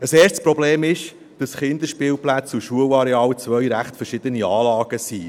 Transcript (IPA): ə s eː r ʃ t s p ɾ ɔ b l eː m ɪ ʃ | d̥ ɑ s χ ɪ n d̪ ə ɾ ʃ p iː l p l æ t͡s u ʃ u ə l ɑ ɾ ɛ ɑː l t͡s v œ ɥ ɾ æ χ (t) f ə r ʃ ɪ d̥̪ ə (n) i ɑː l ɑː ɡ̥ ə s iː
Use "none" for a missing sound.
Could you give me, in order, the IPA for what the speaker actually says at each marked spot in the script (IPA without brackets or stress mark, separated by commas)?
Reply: t, n